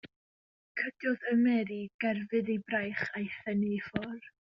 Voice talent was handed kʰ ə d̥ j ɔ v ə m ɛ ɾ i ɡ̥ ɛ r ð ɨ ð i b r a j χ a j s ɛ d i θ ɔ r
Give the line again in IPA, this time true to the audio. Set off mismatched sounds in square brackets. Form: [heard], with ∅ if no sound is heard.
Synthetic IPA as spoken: kʰ ə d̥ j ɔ [ð] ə m ɛ ɾ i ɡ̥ ɛ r [v] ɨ ð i b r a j χ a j [θ] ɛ [n] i [f] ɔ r